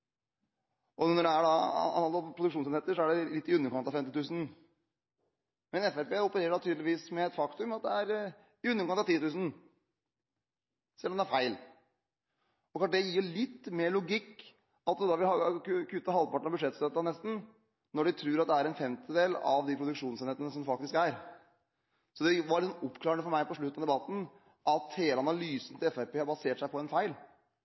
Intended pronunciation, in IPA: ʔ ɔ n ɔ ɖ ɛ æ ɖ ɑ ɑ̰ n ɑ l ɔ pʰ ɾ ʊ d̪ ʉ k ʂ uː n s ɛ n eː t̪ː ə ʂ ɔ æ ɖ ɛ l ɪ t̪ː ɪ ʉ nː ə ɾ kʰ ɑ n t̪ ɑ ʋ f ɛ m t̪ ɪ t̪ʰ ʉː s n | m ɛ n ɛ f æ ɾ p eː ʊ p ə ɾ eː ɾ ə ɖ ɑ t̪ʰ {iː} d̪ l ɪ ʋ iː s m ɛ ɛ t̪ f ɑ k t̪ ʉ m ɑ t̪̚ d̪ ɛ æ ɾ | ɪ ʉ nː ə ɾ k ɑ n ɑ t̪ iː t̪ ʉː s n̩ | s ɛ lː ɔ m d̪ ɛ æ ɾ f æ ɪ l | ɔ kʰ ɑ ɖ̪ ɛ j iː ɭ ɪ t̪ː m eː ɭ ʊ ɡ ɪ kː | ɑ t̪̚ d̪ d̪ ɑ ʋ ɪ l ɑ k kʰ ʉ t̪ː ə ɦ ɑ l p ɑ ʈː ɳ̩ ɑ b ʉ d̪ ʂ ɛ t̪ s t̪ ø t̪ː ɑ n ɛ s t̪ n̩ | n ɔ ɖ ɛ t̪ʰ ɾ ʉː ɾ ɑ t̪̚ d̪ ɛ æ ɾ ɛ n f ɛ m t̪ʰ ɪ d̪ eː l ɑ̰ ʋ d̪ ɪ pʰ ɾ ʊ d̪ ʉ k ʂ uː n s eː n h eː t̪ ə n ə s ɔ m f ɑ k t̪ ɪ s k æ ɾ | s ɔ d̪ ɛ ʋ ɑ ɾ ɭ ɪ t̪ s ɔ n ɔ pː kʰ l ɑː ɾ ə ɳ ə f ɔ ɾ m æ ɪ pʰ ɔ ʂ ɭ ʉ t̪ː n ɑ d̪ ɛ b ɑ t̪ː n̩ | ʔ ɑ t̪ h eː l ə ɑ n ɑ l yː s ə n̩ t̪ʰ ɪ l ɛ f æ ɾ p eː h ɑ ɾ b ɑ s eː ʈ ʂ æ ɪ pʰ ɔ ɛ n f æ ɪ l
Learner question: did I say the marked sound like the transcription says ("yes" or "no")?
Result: no